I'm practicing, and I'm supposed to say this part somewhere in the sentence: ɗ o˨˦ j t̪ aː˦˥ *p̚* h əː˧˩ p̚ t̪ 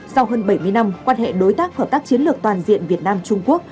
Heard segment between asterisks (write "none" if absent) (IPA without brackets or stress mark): k̚